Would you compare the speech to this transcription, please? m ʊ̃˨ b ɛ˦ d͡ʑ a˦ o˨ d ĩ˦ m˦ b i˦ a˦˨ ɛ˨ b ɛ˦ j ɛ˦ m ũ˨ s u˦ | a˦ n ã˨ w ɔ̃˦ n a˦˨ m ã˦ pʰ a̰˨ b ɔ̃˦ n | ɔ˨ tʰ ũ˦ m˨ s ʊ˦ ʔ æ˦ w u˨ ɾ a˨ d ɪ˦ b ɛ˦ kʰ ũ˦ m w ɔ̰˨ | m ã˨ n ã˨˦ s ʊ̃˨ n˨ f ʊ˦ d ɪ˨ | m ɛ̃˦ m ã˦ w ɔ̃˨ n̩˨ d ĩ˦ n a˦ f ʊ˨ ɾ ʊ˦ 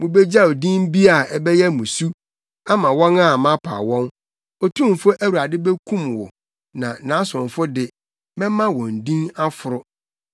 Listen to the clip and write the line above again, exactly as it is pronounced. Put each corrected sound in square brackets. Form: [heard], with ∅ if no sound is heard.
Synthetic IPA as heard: m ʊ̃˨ b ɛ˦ d͡ʑ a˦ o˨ d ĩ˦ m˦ b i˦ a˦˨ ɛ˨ b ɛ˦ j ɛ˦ m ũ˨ s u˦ | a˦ [m] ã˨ w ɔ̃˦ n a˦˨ m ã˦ pʰ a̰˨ [w] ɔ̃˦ n | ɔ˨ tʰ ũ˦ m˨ [f] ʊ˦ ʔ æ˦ w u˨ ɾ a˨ d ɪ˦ b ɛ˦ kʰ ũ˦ m w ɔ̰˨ | [n] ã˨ n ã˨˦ s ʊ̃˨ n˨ f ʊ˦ d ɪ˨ | m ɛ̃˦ m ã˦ w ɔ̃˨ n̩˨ d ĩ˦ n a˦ f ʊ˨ ɾ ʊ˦